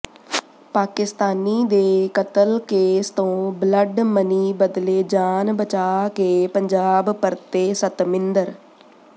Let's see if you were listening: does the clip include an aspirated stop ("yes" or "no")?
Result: no